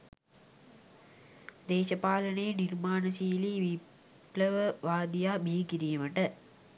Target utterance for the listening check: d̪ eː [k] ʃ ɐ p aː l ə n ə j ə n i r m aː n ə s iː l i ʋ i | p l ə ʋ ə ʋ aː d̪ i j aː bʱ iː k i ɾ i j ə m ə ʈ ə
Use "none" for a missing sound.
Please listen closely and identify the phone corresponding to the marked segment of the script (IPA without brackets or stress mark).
none